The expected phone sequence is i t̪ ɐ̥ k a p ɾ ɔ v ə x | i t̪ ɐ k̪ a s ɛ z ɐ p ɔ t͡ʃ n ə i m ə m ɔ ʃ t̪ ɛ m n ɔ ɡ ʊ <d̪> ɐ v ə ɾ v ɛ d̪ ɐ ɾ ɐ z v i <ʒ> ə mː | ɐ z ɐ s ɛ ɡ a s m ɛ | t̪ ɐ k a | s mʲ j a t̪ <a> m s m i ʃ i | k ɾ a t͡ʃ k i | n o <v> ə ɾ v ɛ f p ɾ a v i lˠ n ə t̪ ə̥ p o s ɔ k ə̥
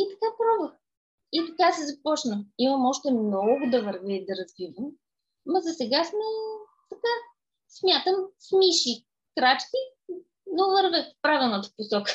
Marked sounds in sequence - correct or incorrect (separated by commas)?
correct, incorrect, incorrect, correct